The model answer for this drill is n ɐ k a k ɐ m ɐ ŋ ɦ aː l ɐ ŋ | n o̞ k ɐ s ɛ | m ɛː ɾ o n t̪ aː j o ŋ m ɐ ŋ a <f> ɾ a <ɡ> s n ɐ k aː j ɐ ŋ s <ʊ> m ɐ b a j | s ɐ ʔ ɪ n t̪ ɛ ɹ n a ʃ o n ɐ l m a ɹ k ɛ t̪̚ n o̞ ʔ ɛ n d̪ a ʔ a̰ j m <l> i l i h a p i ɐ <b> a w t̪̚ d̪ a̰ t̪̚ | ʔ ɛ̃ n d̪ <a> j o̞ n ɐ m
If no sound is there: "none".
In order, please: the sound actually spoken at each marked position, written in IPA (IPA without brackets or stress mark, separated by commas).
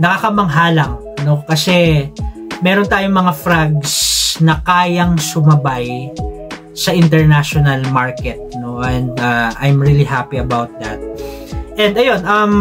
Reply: f, ɡ, ʊ, ɹ, b, ɐ